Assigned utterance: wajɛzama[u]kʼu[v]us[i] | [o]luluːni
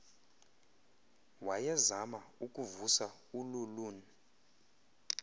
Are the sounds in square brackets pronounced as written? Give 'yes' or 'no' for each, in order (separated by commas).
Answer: yes, yes, no, no